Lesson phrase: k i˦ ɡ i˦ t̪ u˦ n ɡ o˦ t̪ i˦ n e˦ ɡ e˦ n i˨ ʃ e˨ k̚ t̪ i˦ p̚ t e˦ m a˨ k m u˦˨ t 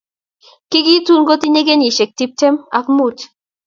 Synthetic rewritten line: k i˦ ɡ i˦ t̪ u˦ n ɡ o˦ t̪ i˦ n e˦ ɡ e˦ n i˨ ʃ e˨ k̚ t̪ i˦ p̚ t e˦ m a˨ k m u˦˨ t